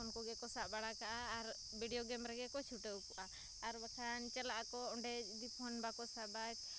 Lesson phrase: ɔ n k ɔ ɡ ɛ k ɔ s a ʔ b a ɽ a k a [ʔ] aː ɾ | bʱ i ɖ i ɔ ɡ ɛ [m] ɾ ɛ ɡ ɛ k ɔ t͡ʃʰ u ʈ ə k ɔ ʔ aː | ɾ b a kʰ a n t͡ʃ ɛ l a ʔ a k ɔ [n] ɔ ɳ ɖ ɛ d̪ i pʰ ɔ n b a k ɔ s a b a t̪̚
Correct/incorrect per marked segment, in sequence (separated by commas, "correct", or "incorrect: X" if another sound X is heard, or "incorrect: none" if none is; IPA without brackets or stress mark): correct, correct, incorrect: none